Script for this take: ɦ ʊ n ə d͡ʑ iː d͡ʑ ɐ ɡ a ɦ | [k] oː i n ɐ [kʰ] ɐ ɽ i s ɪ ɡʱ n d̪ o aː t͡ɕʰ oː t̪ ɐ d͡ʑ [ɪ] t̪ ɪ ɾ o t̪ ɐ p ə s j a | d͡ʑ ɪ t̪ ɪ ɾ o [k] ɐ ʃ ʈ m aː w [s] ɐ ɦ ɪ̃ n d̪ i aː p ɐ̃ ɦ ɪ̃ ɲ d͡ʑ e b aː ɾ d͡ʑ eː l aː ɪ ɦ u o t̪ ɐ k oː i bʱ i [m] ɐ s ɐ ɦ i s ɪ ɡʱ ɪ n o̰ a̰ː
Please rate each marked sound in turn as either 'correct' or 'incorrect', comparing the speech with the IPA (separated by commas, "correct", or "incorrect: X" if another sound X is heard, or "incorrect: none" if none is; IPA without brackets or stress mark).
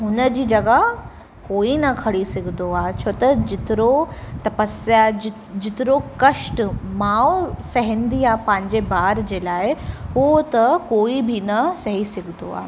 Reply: correct, correct, correct, correct, correct, incorrect: n